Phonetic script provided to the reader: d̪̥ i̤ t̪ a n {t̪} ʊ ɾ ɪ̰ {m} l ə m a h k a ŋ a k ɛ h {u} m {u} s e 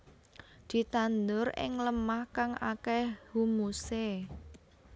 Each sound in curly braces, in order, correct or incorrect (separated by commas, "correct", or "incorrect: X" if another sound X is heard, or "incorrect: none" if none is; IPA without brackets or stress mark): incorrect: d̪, incorrect: ŋ, correct, correct